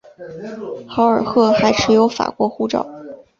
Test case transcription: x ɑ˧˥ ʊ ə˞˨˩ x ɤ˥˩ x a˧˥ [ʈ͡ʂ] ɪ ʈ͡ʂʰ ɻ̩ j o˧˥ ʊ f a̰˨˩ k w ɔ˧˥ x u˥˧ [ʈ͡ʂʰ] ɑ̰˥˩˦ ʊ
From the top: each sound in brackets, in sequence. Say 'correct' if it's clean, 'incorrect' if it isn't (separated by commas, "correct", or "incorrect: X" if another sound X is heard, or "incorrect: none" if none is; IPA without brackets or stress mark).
incorrect: none, incorrect: ʈ͡ʂ